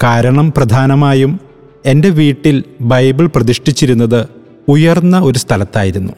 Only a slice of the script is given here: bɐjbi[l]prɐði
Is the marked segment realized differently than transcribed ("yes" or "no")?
yes